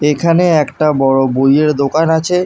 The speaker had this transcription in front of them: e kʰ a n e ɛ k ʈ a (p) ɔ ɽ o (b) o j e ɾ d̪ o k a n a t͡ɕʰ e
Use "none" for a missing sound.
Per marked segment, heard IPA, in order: b, b

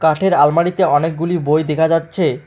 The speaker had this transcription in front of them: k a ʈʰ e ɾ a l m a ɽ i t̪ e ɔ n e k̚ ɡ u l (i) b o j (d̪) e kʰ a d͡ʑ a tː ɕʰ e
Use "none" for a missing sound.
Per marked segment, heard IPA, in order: i, d̪

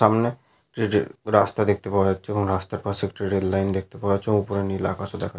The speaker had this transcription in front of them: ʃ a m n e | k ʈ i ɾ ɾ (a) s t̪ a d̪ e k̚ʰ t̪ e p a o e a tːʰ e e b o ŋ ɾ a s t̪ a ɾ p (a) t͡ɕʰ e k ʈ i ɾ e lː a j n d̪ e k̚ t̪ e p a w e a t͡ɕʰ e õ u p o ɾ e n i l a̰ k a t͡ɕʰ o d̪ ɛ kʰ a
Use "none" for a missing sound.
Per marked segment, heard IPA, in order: a, a

